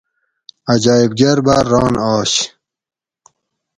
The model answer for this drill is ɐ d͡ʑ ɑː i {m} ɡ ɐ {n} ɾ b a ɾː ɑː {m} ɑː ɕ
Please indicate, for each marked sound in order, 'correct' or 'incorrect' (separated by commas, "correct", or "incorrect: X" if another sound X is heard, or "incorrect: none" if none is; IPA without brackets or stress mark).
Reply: incorrect: b, incorrect: none, incorrect: n